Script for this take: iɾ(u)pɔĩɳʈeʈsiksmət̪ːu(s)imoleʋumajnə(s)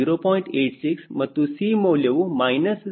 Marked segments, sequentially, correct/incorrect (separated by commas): incorrect, correct, correct